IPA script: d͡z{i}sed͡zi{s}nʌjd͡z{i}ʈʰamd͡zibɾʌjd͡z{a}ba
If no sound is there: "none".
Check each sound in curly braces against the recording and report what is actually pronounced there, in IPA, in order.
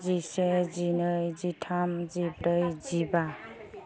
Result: i, none, i, i

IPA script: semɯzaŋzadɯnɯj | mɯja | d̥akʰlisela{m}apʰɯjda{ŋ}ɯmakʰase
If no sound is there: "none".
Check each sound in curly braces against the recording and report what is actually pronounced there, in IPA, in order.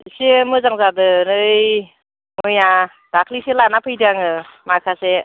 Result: n, ŋ

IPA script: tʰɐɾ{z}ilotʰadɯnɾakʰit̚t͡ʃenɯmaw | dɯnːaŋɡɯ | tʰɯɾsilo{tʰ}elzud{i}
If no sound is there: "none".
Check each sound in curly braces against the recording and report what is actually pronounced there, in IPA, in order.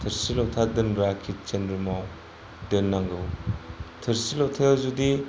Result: s, tʰ, i

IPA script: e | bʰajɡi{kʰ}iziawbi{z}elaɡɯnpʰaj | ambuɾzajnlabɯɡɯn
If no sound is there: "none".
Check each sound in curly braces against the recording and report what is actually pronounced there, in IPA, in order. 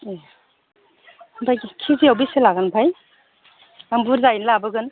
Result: kʰ, s

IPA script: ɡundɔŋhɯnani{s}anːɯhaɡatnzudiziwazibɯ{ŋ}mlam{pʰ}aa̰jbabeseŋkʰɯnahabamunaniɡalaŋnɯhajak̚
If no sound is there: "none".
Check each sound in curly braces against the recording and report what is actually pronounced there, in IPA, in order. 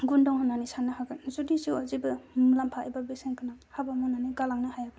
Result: s, none, pʰ

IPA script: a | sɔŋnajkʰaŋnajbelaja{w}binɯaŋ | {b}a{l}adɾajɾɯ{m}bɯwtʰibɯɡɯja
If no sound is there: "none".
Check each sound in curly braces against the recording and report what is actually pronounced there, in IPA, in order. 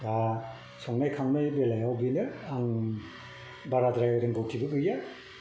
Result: w, b, ɾ, ŋ

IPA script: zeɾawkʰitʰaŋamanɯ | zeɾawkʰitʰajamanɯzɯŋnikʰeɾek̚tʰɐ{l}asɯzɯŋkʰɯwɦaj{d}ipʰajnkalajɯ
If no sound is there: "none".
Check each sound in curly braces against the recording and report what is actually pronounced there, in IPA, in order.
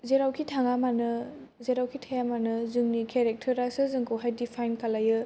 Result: ɾ, d

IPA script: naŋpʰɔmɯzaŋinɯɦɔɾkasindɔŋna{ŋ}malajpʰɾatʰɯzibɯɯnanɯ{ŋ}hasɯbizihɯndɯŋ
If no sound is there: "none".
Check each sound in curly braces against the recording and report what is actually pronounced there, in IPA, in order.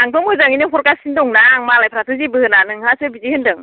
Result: ŋ, ŋ

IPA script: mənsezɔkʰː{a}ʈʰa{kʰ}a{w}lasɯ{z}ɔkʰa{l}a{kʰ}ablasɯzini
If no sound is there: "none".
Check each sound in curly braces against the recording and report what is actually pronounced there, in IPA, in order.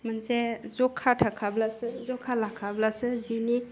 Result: a, kʰ, b, z, l, kʰ

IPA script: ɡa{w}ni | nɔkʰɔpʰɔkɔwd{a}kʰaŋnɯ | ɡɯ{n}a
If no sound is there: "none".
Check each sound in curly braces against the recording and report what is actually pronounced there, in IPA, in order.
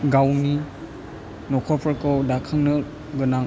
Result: w, a, n

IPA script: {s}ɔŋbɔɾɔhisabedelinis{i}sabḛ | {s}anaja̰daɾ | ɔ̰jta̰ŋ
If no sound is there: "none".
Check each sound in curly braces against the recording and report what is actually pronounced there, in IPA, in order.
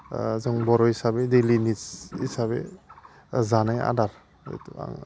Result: z, i, z

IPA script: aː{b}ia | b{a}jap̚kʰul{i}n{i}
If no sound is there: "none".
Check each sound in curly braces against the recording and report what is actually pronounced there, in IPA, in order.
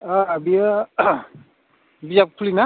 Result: b, i, i, a

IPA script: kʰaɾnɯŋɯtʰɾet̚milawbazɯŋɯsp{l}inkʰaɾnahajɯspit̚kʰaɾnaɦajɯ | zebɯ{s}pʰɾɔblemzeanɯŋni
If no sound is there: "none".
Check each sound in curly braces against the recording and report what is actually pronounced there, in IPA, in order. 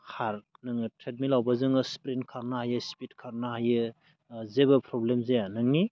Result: ɾ, none

